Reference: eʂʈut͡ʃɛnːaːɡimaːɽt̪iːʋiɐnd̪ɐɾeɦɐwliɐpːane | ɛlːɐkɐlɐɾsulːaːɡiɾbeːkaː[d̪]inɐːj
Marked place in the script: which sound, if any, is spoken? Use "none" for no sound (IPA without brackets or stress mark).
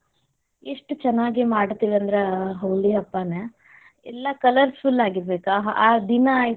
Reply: d̪